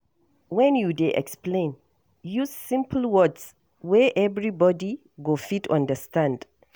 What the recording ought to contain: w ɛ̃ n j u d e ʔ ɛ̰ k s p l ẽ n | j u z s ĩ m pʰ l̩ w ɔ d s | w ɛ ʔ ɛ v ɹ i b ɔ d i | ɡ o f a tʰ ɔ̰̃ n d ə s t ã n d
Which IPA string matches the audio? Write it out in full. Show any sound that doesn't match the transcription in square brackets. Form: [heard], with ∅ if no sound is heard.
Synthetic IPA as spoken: w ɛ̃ n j u d e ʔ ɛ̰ k s p l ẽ n | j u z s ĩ m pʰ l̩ w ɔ d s | w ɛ ʔ ɛ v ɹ i b ɔ d i | ɡ o f [i] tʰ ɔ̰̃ n d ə s t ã n d

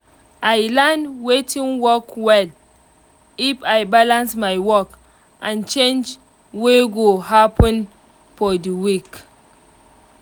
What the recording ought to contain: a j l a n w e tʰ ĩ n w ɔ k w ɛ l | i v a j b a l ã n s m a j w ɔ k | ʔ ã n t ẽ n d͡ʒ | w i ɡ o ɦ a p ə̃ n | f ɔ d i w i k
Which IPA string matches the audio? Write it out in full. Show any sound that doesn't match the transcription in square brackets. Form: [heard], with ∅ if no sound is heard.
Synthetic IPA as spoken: a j l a n w e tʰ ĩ n w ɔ k w ɛ l | i [f] a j b a l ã n s m a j w ɔ k | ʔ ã n [t͡ʃ] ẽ n d͡ʒ | w [e] ɡ o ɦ a p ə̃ n | f ɔ d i w i k

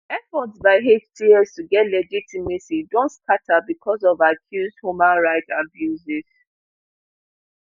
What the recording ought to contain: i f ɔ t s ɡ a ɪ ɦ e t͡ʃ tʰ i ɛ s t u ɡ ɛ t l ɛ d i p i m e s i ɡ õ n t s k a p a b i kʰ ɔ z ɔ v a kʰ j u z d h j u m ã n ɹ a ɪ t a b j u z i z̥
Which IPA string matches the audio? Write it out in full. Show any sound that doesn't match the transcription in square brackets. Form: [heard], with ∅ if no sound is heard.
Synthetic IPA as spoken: [ɛ] f ɔ t s [b] a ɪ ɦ e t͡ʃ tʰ i ɛ s t u ɡ ɛ t l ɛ [d͡ʒ] i [t] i m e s i [d] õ n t s k a [t] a b i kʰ ɔ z ɔ v a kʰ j u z d h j u m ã n ɹ a ɪ t a b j u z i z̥

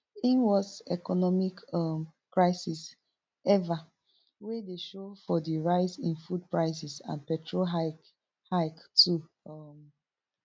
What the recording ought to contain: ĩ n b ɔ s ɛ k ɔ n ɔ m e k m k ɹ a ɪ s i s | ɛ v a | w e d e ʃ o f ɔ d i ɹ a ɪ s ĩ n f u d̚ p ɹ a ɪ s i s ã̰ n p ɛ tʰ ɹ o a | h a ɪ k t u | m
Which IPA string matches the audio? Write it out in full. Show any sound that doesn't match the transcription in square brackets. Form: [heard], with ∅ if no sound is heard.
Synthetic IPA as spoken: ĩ n [w] ɔ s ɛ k ɔ n ɔ m [i] k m k ɹ a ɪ s i s | ɛ v a | w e d e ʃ o f ɔ d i ɹ a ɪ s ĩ n f u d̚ p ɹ a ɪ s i s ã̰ n p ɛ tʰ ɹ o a | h a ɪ k t u | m

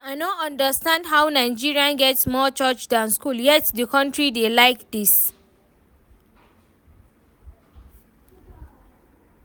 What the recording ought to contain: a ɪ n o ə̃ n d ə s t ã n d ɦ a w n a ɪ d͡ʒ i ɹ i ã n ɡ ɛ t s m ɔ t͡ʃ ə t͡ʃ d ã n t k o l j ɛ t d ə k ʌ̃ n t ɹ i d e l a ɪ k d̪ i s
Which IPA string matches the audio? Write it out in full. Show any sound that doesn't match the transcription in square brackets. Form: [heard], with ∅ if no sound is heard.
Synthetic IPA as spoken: a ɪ n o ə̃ n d ə s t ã n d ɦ a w n a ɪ d͡ʒ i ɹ i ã n ɡ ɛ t s m ɔ t͡ʃ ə t͡ʃ d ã n [s] k [u] l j ɛ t d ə k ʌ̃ n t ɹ i d e l a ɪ k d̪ i s

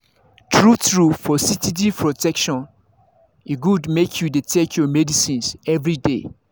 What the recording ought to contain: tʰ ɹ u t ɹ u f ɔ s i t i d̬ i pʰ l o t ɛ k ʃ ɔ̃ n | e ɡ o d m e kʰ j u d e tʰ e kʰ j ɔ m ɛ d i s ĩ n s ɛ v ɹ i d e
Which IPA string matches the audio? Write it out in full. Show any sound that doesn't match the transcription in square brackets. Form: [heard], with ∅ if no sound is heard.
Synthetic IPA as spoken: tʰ ɹ u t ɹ u f ɔ s i t i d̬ i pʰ [ɹ] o t ɛ k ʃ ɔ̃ n | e ɡ [u] d m e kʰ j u d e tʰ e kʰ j ɔ m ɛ d i s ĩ n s ɛ v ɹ i d e

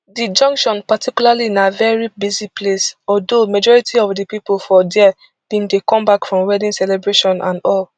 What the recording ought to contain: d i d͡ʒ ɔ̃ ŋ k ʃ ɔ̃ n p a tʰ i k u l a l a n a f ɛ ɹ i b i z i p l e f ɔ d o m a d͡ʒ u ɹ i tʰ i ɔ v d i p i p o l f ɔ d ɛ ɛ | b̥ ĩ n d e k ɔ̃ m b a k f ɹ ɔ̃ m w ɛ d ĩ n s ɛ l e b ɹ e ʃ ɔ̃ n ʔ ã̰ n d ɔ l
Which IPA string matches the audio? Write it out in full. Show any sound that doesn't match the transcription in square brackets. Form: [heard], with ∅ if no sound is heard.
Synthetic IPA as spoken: d i d͡ʒ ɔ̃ ŋ k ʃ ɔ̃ n p a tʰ i k u l a l [i] n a [v] ɛ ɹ i b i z i p l e [s] ɔ d o m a d͡ʒ [ɔ] ɹ i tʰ i ɔ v d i p i p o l f ɔ d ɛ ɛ | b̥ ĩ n d e k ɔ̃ m b a k f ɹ ɔ̃ m w ɛ d ĩ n s ɛ l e b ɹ e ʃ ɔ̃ n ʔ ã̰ n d ɔ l

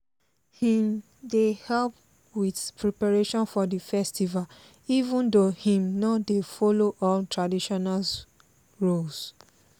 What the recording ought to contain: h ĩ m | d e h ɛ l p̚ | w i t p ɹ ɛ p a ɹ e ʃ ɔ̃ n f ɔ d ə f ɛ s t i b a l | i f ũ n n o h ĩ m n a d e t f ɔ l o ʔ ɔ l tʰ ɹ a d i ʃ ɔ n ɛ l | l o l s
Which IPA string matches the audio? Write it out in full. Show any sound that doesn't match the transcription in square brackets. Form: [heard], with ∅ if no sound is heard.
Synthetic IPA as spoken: h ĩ m | d e h ɛ l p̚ | w i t p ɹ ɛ p a ɹ e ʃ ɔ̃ n f ɔ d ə f ɛ s t i [v] a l | i [v] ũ n [d] o h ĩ m n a d e [∅] f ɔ l o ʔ ɔ l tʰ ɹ a d i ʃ ɔ n [a] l | [ɹ] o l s

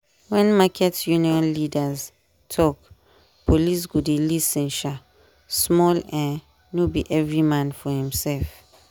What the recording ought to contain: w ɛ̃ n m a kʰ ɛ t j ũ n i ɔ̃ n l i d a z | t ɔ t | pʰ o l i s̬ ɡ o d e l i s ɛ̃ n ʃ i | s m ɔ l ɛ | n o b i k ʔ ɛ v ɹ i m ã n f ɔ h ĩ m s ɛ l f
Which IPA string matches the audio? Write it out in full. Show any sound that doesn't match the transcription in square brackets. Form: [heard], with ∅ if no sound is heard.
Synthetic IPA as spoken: w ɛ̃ n m a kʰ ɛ t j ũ n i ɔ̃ n l i d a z | [tʰ] ɔ [k] | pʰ o l i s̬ ɡ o d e l i s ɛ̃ n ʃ [a] | s m ɔ l ɛ | n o b i [∅] ʔ ɛ v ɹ i m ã n f ɔ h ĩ m s ɛ l f

